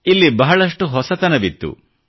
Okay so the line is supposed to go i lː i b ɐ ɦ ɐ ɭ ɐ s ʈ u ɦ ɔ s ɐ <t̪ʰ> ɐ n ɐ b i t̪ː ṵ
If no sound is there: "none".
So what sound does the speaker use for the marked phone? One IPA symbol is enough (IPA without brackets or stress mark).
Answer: t̪